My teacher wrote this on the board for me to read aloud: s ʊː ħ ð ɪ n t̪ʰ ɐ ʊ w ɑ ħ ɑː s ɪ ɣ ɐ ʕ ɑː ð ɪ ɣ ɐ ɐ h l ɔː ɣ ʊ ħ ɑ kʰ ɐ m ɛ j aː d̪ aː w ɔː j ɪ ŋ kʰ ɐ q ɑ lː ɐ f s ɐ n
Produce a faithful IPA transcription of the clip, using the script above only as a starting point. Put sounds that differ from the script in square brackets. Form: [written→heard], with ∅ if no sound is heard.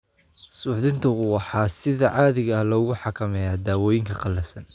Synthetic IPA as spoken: s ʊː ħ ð ɪ n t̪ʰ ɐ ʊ w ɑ ħ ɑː s ɪ [ɣ→ð] ɐ ʕ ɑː ð ɪ ɣ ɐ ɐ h l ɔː ɣ ʊ ħ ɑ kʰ ɐ m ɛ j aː d̪ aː w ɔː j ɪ ŋ kʰ ɐ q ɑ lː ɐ f s ɐ n